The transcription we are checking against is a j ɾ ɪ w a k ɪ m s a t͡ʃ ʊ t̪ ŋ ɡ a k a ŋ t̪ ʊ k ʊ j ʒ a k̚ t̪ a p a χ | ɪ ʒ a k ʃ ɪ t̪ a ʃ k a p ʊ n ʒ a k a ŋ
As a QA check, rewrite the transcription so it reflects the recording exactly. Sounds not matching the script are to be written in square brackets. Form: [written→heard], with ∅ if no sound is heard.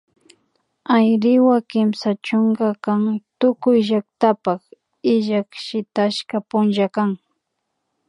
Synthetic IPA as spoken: a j ɾ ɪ w a k ɪ m s a t͡ʃ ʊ [t̪→∅] ŋ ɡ a k a ŋ t̪ ʊ k ʊ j ʒ a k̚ t̪ a p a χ | ɪ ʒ a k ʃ ɪ t̪ a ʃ k a p ʊ n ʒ a k a ŋ